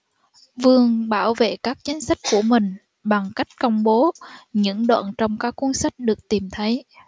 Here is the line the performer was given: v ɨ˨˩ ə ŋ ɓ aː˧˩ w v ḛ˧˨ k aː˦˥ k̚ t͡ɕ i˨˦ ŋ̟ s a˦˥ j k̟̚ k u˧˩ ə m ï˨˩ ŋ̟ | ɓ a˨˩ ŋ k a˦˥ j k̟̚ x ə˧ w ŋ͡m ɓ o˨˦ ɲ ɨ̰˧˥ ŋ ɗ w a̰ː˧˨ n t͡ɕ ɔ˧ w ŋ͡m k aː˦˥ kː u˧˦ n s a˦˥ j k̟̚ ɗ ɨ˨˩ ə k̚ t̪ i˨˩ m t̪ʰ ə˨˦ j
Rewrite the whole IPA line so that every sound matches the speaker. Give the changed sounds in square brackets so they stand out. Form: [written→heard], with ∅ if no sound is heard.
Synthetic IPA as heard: v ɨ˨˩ ə ŋ ɓ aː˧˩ w v ḛ˧˨ k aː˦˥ k̚ t͡ɕ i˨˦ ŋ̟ s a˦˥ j k̟̚ k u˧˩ ə m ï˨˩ ŋ̟ | ɓ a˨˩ ŋ k a˦˥ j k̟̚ [x→k] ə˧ w ŋ͡m ɓ o˨˦ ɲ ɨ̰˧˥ ŋ ɗ w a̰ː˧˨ n t͡ɕ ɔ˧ w ŋ͡m k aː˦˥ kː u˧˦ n s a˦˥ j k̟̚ ɗ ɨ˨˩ ə k̚ t̪ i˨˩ m t̪ʰ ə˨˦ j

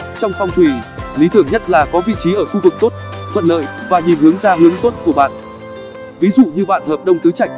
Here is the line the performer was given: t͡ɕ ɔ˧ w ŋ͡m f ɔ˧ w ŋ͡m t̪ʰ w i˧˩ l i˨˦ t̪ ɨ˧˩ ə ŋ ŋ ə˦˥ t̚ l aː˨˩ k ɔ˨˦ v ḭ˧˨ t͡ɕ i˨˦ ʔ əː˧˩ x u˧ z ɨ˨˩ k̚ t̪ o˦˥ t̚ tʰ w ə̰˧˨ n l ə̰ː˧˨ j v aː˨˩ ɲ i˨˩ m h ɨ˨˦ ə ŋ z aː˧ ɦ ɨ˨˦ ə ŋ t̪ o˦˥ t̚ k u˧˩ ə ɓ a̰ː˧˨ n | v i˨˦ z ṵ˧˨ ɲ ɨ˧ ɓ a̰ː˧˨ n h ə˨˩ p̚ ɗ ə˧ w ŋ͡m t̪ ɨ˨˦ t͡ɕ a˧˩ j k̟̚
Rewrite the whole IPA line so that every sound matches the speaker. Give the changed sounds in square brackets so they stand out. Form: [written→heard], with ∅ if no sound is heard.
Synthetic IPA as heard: t͡ɕ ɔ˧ w ŋ͡m f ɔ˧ w ŋ͡m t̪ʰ w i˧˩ l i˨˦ t̪ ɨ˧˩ ə ŋ [ŋ→ɲ] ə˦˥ t̚ l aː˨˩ k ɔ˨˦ v ḭ˧˨ t͡ɕ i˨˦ ʔ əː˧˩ x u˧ [z→v] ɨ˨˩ k̚ t̪ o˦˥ t̚ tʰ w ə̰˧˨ n l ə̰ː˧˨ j v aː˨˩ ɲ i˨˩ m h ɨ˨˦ ə ŋ z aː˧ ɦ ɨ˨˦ ə ŋ t̪ o˦˥ t̚ k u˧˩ ə ɓ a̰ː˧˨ n | v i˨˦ z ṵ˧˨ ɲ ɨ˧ ɓ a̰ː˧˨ n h [ə˨˩→əː˨˩] p̚ ɗ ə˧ w ŋ͡m t̪ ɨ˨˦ t͡ɕ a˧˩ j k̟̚

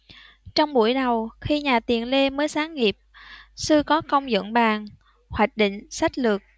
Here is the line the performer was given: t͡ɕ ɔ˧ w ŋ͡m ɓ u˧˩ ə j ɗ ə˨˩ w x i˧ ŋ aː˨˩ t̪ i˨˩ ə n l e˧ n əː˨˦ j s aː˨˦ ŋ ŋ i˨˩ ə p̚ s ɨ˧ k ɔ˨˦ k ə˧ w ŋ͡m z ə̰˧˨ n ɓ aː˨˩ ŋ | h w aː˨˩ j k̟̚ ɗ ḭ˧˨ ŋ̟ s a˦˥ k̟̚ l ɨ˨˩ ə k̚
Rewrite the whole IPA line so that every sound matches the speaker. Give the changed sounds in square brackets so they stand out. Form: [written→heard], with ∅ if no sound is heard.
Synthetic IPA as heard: t͡ɕ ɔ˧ w ŋ͡m ɓ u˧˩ ə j ɗ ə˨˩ w x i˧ [ŋ→ɲ] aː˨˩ t̪ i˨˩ ə n l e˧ [n→m] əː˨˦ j s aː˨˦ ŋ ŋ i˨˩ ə p̚ s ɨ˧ k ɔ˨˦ k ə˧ w ŋ͡m z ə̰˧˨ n ɓ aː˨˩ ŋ | h w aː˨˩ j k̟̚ ɗ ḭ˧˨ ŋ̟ s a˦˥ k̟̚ l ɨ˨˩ ə k̚

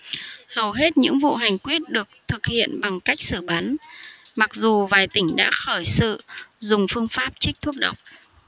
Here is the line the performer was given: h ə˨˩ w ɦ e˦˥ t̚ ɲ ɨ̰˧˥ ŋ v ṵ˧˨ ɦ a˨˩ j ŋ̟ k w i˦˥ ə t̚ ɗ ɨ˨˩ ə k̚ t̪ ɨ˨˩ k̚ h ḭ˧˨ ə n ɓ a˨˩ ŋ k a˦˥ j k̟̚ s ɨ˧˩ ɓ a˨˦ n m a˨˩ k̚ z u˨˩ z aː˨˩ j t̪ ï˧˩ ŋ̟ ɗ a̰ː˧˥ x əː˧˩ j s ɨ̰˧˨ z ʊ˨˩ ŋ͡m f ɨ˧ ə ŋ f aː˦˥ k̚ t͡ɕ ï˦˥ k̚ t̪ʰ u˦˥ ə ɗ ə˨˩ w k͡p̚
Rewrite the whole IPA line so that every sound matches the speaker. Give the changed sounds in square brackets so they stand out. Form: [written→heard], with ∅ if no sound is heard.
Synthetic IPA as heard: h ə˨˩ w ɦ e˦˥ t̚ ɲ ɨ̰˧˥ ŋ v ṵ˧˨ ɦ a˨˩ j ŋ̟ k w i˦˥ ə t̚ ɗ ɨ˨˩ ə k̚ [t̪→t̪ʰ] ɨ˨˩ k̚ h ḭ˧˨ ə n ɓ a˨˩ ŋ k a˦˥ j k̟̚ s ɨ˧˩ ɓ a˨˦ n m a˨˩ k̚ z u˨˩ [z→v] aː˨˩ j t̪ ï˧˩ ŋ̟ ɗ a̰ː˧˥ x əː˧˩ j s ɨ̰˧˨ z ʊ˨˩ ŋ͡m f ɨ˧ ə ŋ f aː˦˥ [k̚→p̚] t͡ɕ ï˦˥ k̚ t̪ʰ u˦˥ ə ɗ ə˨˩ w k͡p̚

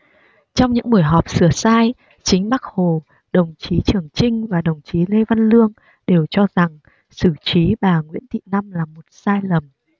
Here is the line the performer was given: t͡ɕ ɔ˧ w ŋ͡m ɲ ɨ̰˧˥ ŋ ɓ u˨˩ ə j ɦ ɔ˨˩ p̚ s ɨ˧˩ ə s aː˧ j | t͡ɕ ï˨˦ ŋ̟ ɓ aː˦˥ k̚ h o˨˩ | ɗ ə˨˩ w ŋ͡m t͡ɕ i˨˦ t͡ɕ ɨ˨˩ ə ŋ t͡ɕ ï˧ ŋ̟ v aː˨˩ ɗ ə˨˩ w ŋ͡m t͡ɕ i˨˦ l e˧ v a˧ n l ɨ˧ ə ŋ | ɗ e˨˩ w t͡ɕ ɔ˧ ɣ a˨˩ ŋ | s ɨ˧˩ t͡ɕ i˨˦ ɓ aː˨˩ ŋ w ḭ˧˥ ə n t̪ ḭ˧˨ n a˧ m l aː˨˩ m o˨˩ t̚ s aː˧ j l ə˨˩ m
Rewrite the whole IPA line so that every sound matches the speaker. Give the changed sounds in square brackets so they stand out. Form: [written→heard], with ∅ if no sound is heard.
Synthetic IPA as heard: t͡ɕ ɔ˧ w ŋ͡m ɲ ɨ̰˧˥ ŋ ɓ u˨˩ ə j ɦ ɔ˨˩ p̚ s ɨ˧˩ ə s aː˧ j | t͡ɕ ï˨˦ ŋ̟ ɓ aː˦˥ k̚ h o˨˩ | ɗ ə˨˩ w ŋ͡m t͡ɕ i˨˦ t͡ɕ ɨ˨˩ ə ŋ t͡ɕ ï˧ ŋ̟ v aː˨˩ ɗ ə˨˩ w ŋ͡m t͡ɕ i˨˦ l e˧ v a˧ n l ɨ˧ ə ŋ | ɗ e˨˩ w t͡ɕ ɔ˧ [ɣ→z] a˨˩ ŋ | s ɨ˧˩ t͡ɕ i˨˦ ɓ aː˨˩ ŋ w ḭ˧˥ ə n t̪ ḭ˧˨ n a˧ m l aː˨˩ m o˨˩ t̚ s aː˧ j l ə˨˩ m

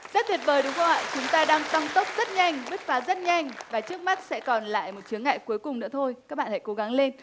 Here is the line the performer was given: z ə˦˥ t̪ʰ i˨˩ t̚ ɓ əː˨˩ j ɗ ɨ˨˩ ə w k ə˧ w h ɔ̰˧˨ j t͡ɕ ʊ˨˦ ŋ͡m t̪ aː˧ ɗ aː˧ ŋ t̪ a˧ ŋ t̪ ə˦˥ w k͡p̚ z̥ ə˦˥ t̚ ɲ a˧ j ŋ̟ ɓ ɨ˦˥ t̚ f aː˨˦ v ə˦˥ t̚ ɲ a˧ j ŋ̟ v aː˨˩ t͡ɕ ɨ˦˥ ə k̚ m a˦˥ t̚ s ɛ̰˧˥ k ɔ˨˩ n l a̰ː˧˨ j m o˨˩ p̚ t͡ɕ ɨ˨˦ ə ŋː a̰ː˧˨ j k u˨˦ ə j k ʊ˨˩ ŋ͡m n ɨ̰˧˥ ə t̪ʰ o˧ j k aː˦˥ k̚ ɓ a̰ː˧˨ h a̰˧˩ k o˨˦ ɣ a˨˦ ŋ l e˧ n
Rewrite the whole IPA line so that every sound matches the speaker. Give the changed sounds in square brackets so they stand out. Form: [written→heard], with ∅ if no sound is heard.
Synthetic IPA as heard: z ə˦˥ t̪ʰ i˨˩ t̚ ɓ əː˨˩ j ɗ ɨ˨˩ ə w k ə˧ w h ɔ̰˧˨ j t͡ɕ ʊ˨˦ ŋ͡m t̪ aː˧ ɗ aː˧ ŋ t̪ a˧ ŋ t̪ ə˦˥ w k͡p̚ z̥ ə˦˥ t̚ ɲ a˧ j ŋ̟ ɓ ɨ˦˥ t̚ f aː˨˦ [v→z] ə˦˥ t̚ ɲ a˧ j ŋ̟ v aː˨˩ t͡ɕ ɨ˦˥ ə k̚ m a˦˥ t̚ s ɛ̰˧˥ k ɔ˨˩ n l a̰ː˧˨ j m o˨˩ [p̚→t̚] t͡ɕ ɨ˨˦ ə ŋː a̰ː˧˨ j k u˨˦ ə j k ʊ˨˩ ŋ͡m n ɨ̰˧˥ ə t̪ʰ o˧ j k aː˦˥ k̚ ɓ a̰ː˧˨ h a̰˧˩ k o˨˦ ɣ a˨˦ ŋ l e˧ n

